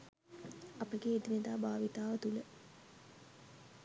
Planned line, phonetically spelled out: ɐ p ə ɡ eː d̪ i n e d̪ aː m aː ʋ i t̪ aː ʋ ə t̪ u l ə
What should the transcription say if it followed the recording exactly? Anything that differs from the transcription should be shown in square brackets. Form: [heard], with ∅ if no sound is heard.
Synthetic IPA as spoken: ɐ p ə ɡ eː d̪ i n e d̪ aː [b] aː ʋ i t̪ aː ʋ ə t̪ u l ə